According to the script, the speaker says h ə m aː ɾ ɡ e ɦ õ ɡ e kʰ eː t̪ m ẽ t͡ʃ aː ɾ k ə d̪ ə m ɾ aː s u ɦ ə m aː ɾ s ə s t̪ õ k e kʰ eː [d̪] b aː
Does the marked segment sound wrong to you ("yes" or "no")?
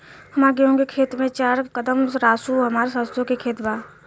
yes